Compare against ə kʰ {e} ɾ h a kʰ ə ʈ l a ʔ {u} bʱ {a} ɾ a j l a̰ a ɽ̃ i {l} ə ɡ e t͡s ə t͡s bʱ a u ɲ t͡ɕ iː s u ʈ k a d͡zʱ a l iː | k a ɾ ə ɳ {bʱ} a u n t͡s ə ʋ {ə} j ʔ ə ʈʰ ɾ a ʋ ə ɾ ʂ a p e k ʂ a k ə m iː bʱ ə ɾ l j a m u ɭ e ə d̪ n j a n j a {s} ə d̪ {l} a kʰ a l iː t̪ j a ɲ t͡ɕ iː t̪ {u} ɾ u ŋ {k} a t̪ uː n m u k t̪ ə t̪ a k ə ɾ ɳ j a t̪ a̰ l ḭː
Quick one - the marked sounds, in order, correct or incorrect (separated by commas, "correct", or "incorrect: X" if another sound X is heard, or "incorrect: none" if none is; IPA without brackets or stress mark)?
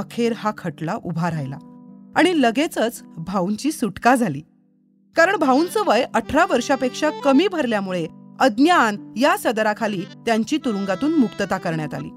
correct, correct, correct, correct, correct, correct, correct, incorrect: ɾ, correct, incorrect: ɡ